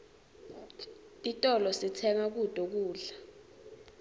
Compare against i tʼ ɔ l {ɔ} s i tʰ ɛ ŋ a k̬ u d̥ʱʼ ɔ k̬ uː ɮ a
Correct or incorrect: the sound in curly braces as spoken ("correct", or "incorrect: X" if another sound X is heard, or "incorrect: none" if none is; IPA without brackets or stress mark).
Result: correct